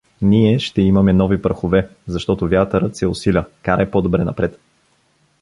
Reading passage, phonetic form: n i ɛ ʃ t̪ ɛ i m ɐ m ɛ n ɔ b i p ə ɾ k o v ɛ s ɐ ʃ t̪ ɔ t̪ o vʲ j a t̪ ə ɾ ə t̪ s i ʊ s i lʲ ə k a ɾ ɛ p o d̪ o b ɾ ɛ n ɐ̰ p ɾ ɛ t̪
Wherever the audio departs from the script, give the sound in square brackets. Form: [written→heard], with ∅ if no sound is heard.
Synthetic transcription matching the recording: n i ɛ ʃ t̪ ɛ i m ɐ m ɛ n ɔ [b→v] i p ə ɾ [k→x] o v ɛ [s→z] ɐ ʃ t̪ ɔ t̪ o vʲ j a t̪ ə ɾ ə t̪ s [i→ɛ] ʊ s i lʲ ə k a ɾ ɛ p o d̪ o b ɾ ɛ n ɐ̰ p ɾ ɛ t̪